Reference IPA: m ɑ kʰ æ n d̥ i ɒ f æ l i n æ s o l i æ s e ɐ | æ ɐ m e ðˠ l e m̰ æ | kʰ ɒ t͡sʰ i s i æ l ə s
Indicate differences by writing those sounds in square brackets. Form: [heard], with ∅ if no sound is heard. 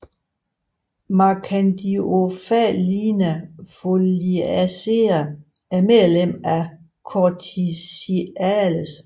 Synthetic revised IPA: m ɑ kʰ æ n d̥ i [o] f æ l i n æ [f] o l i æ s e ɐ | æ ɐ m e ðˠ l e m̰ æ | kʰ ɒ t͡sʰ i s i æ l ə s